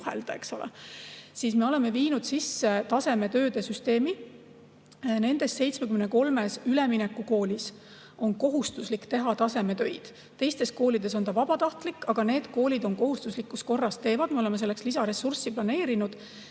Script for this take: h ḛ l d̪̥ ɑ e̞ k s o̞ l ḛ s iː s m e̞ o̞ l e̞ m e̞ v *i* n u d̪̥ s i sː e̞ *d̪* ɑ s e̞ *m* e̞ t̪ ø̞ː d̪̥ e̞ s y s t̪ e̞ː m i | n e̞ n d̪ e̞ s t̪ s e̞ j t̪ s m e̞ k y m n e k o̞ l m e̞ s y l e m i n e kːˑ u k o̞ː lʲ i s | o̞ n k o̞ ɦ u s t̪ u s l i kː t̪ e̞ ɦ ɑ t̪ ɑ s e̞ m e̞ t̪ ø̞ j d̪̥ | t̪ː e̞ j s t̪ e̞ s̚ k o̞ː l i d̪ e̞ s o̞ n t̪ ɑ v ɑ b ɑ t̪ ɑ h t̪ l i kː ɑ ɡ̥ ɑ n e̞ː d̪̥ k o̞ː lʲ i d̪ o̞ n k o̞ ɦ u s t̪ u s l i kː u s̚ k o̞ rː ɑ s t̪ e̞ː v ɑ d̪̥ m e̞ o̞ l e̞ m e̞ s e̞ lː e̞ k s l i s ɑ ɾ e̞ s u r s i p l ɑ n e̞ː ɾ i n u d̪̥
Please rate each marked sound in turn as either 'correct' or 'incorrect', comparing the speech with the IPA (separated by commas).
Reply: incorrect, incorrect, correct